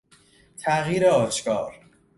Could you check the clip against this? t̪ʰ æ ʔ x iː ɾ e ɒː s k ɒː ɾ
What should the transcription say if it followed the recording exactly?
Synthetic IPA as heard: t̪ʰ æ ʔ ɣ iː ɾ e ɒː ʃ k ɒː ɾ